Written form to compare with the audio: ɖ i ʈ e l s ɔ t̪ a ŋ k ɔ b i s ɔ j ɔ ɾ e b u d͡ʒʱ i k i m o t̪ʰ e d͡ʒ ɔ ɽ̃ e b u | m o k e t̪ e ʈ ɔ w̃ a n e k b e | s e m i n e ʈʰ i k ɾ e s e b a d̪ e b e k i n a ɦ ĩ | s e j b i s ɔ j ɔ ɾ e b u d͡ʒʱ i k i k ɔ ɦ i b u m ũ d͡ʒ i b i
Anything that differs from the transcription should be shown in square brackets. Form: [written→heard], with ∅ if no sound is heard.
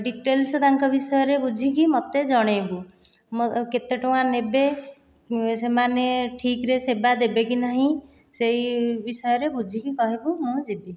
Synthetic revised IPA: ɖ i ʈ e l s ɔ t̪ a ŋ k ɔ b i s ɔ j ɔ ɾ e b u d͡ʒʱ i k i m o [t̪ʰ→t̪] e d͡ʒ ɔ ɽ̃ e b u | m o k e t̪ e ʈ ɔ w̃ a n e [k→∅] b e | s e m [i→a] n e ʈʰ i k ɾ e s e b a d̪ e b e k i n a ɦ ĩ | s e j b i s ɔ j ɔ ɾ e b u d͡ʒʱ i k i k ɔ ɦ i b u m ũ d͡ʒ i b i